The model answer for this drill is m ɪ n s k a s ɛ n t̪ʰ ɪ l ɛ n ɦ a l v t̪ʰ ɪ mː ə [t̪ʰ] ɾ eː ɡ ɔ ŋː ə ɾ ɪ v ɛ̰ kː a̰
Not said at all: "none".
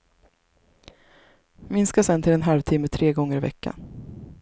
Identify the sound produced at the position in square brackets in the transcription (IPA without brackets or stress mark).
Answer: t̪ʰ